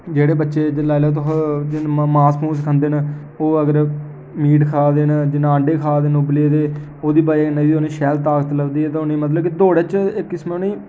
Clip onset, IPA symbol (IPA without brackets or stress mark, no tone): d͡ʒ